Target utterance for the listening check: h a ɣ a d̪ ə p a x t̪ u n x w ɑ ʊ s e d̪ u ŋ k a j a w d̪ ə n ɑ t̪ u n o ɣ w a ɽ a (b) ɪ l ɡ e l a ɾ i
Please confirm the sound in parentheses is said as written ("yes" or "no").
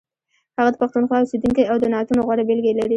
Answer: yes